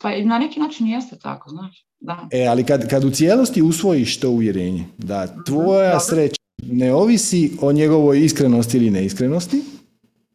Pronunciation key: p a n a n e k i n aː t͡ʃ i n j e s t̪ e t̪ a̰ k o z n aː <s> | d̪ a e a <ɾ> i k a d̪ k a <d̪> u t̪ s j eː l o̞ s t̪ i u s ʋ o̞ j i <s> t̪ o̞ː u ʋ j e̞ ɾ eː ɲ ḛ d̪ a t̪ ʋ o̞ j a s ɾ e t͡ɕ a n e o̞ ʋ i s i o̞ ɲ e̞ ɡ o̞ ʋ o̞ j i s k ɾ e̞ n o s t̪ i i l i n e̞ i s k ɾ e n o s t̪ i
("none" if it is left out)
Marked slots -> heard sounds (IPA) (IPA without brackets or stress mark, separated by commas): ʃ, l, d̪, ʃ